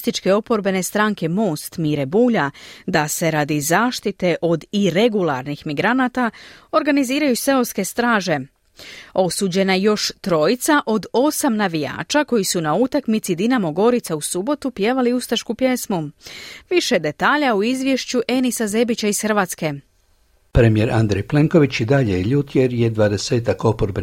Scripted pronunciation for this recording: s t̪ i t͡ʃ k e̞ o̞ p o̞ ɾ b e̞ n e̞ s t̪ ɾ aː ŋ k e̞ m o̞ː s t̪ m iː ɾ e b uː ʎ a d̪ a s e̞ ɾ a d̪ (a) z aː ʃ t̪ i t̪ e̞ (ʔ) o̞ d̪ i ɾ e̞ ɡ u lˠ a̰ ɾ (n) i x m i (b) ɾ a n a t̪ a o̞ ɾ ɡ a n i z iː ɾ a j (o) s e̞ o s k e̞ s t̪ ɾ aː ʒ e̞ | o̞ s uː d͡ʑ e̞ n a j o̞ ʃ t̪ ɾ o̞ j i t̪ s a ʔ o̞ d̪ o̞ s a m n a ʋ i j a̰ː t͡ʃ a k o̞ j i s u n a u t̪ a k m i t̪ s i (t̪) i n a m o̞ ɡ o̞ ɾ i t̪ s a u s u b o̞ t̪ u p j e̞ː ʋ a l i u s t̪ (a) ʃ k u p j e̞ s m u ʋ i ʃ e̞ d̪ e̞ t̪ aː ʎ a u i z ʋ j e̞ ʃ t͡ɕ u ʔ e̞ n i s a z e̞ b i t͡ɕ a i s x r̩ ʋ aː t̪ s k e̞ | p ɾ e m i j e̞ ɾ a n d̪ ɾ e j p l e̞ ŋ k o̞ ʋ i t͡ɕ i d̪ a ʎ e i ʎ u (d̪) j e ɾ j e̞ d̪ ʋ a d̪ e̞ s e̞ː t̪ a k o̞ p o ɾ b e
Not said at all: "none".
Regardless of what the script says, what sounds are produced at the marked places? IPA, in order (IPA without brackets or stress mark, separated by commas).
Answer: i, ʔ, n, ɡ, u, d̪, a, t̪